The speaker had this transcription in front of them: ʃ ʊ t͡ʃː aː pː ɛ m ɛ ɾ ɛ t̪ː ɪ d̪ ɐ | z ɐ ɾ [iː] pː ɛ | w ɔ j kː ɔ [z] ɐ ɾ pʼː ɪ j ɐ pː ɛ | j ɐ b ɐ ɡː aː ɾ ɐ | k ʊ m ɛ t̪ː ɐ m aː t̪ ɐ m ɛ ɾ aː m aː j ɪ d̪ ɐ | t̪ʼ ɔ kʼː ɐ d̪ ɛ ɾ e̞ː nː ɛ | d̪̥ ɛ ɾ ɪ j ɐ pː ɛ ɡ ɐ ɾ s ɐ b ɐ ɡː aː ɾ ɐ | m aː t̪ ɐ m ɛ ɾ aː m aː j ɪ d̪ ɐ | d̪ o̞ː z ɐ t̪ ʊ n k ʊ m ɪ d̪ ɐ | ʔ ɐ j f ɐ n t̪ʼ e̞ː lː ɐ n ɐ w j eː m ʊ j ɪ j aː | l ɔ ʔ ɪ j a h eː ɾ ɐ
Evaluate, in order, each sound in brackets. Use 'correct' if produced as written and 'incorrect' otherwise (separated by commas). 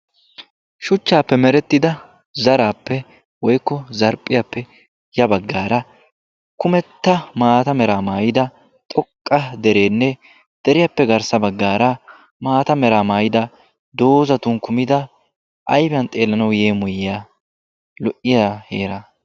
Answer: incorrect, correct